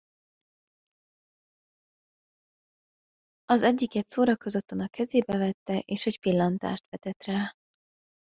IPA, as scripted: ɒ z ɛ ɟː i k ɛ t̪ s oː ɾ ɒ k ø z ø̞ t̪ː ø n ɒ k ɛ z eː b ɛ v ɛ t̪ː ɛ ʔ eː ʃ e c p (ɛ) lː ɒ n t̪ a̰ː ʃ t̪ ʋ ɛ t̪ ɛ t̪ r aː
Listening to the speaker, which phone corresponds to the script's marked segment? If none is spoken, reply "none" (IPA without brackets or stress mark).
i